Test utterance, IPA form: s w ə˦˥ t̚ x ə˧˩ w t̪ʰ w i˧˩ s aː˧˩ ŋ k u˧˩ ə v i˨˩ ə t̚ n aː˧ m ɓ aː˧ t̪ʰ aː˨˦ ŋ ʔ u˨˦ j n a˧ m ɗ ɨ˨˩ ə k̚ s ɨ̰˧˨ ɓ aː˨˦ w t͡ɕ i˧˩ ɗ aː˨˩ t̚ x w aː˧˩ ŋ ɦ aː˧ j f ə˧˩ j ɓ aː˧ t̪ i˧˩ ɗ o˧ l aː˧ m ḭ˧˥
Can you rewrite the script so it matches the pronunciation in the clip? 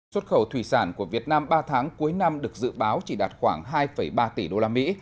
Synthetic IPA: s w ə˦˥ t̚ x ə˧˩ w t̪ʰ w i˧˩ s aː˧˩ n k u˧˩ ə v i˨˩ ə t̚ n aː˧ m ɓ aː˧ t̪ʰ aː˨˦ ŋ k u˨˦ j n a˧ m ɗ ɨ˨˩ ə k̚ z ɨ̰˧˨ ɓ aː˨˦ w t͡ɕ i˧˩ ɗ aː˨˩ t̚ x w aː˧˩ ŋ ɦ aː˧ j f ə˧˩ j ɓ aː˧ t̪ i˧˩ ɗ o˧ l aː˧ m ḭ˧˥